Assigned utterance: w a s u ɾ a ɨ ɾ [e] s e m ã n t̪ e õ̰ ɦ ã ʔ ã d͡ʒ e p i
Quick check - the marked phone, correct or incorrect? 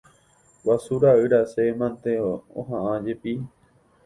incorrect